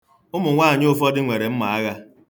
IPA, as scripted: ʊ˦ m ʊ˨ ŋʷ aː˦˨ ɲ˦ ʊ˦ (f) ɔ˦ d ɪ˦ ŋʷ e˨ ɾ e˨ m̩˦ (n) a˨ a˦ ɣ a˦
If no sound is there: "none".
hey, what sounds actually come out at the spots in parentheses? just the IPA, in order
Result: f, m

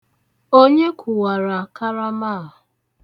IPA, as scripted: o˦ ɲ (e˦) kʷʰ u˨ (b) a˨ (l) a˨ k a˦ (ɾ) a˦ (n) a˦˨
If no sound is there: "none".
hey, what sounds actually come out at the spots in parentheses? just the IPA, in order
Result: e˦, w, ɾ, ɾ, m

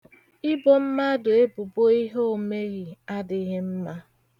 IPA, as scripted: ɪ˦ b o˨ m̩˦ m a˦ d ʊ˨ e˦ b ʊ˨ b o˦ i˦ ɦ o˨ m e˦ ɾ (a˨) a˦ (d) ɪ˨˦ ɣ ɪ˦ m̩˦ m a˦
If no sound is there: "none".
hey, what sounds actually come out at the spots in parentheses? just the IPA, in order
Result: i˨, d

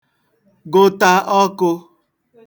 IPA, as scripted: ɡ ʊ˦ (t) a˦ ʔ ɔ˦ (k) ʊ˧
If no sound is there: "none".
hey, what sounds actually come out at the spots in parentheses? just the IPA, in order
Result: t, k

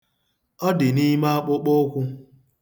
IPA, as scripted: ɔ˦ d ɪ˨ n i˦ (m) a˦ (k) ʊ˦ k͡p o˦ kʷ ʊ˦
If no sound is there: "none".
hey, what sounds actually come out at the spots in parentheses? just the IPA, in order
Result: m, k͡p

